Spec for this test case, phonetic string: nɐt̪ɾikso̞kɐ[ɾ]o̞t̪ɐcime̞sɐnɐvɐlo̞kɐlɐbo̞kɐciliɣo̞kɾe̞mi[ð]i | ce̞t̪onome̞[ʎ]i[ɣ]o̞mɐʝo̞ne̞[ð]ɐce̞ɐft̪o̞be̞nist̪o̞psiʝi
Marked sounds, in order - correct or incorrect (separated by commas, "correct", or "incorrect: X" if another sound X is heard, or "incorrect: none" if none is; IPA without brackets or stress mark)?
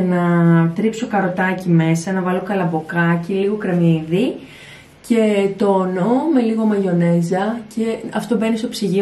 correct, correct, incorrect: l, correct, incorrect: z